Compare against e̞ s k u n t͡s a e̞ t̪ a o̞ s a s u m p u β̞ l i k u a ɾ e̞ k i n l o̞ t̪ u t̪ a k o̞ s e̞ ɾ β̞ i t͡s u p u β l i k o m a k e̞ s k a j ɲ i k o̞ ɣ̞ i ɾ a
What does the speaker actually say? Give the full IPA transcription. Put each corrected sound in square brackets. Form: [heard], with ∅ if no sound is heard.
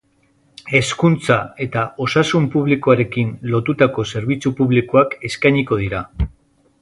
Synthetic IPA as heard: e̞ s k u n t͡s a e̞ t̪ a o̞ s a s u m p u β̞ l i k [o] a ɾ e̞ k i n l o̞ t̪ u t̪ a k o̞ s e̞ ɾ β̞ i t͡s u p u β l i k o [∅] a k e̞ s k a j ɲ i k o̞ [ð̞] i ɾ a